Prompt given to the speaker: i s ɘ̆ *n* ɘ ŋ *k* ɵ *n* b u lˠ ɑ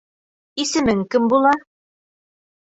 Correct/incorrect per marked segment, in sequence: incorrect: m, correct, incorrect: m

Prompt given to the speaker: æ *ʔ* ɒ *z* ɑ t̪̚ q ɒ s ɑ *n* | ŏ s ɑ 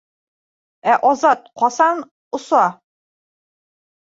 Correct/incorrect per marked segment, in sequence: correct, correct, correct

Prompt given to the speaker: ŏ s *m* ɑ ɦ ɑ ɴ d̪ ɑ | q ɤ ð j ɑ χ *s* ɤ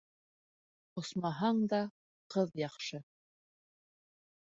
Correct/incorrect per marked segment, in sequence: correct, incorrect: ʃ

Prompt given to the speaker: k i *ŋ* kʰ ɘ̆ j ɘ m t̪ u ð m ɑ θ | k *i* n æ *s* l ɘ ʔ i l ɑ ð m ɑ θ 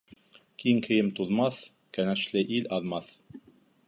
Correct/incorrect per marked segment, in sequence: correct, incorrect: æ, incorrect: ʃ

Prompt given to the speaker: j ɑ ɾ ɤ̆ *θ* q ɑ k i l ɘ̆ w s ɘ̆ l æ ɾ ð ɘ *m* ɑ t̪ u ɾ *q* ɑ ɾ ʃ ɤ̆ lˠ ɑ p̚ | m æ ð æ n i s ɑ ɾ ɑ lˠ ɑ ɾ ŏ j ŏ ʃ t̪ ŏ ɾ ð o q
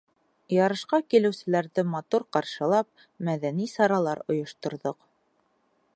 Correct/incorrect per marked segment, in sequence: incorrect: ʃ, correct, correct

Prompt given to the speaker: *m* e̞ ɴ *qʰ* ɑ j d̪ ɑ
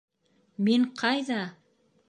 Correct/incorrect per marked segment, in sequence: correct, correct

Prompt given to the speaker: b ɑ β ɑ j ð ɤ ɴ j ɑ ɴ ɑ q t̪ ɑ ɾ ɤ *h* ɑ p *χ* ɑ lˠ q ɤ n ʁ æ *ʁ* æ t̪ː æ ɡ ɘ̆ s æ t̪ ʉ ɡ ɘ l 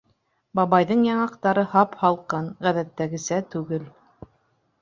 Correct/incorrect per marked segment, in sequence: correct, incorrect: h, incorrect: ð

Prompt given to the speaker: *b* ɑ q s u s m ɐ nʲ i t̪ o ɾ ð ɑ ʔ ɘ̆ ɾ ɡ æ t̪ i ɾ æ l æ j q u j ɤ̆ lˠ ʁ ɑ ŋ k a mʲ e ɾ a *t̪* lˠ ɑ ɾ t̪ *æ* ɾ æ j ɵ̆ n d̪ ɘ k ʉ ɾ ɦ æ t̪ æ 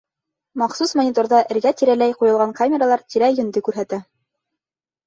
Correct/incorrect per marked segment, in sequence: incorrect: m, incorrect: none, incorrect: i

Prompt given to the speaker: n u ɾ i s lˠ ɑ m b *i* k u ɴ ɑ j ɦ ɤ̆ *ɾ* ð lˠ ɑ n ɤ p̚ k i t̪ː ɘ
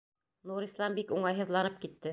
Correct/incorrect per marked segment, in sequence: correct, incorrect: none

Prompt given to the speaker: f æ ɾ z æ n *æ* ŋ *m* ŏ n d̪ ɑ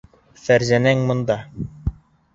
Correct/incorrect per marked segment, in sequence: correct, correct

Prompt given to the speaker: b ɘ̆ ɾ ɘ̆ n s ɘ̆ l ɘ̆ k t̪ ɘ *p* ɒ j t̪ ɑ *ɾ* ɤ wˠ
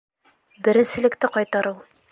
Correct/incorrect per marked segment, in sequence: incorrect: q, correct

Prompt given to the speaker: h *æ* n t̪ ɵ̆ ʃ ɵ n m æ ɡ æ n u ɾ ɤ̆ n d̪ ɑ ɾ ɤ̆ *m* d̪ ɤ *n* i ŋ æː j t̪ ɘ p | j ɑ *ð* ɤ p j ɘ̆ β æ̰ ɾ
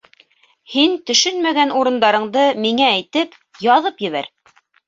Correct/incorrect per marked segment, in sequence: incorrect: i, incorrect: ɴ, incorrect: m, correct

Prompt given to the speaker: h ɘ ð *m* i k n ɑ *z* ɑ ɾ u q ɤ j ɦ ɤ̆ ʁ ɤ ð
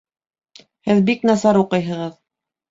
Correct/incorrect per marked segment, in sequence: incorrect: b, incorrect: s

